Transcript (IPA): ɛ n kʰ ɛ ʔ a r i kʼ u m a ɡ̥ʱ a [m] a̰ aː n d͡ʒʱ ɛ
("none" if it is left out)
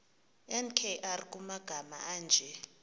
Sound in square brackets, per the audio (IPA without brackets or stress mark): m